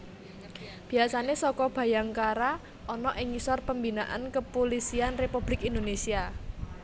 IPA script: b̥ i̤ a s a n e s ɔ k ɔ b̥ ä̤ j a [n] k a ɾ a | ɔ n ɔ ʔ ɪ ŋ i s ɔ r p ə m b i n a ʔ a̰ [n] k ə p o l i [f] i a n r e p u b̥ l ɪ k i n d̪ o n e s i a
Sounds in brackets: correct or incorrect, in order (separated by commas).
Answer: incorrect, correct, incorrect